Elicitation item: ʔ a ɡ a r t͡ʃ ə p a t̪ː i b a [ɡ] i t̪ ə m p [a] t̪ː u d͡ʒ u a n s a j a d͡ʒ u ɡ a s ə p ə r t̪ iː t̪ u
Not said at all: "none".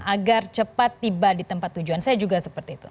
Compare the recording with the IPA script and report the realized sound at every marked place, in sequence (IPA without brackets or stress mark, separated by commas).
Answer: d, a